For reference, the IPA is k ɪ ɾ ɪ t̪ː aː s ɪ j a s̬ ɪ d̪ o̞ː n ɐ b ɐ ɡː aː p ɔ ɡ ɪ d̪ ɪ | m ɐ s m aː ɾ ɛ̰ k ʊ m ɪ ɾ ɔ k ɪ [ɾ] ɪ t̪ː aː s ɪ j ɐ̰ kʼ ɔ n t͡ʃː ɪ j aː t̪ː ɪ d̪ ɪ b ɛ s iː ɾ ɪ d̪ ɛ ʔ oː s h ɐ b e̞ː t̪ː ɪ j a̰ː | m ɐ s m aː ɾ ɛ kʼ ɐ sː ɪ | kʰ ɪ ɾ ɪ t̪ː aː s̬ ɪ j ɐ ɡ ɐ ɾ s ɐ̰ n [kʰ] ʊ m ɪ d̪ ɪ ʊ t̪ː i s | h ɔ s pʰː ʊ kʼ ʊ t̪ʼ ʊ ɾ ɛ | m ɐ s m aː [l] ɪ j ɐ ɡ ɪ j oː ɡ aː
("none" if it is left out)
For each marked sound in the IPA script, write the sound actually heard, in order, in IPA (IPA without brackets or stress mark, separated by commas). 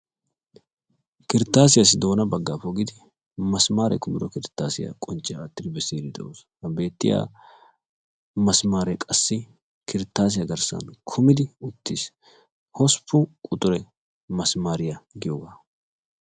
ɾ, kʰ, ɾ